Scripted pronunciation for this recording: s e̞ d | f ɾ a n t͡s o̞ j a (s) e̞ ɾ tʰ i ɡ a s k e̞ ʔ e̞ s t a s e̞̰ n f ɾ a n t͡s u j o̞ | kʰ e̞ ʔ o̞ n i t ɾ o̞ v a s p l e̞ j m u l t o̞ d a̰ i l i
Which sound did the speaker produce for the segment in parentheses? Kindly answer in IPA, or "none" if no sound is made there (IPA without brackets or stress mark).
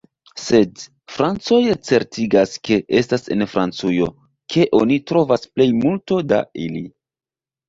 t͡s